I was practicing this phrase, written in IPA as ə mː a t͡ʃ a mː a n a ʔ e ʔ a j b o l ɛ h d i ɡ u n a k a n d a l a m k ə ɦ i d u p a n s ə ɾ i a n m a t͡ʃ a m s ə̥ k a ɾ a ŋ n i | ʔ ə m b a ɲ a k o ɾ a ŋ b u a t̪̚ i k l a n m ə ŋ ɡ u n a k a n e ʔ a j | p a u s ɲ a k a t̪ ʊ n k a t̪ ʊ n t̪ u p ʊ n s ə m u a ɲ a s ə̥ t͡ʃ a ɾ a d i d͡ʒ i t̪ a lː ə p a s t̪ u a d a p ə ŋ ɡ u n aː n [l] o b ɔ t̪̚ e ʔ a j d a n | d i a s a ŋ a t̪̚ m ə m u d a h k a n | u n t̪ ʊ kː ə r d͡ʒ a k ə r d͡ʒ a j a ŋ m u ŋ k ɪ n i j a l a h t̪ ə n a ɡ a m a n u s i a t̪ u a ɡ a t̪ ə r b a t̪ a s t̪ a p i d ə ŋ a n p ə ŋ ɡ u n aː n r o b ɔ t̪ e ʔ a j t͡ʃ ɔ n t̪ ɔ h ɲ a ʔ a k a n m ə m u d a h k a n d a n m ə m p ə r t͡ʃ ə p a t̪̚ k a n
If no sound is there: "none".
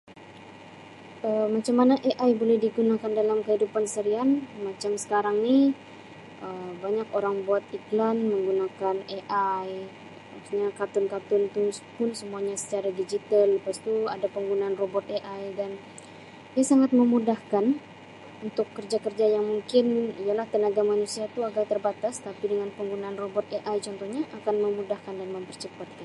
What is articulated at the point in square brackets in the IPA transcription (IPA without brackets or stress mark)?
r